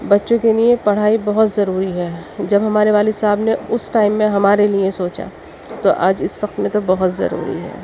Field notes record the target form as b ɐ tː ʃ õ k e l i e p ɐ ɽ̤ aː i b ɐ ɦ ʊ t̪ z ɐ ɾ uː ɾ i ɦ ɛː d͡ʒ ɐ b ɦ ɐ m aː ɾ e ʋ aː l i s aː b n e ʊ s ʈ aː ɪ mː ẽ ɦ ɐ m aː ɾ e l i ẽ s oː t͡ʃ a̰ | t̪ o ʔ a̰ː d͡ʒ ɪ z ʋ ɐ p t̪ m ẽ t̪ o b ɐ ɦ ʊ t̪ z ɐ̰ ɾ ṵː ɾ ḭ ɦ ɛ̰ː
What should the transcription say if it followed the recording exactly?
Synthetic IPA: b ɐ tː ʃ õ k e l i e p ɐ ɽ̤ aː i b ɐ ɦ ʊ t̪ z ɐ ɾ uː ɾ i ɦ ɛː d͡ʒ ɐ b ɦ ɐ m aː ɾ e ʋ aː l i s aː b n e ʊ s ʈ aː ɪ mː ẽ ɦ ɐ m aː ɾ e l i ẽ s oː t͡ʃ a̰ | t̪ o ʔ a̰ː d͡ʒ ɪ s ʋ ɐ q t̪ m ẽ t̪ o b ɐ ɦ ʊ t̪ z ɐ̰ ɾ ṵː ɾ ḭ ɦ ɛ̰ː